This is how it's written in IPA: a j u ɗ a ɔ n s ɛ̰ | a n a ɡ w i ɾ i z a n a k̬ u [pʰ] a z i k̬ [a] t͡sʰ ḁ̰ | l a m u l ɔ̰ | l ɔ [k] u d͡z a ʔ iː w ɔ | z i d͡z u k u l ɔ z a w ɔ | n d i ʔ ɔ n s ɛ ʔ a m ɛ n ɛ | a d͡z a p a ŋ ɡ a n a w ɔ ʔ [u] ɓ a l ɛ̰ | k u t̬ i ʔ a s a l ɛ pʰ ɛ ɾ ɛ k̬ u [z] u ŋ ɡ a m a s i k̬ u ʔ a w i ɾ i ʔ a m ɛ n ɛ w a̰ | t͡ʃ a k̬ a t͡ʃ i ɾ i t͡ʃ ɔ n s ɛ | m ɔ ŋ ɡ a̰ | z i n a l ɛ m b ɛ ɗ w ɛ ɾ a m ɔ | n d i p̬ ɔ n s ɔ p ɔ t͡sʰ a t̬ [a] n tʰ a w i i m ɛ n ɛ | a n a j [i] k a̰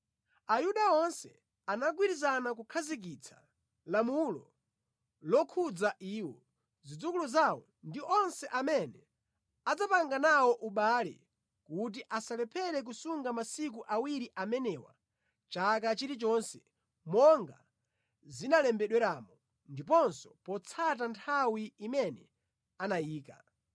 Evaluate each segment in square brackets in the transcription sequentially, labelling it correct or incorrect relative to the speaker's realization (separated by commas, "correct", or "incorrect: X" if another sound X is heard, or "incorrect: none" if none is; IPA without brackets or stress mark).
incorrect: kʰ, incorrect: i, incorrect: kʰ, correct, incorrect: s, correct, incorrect: iː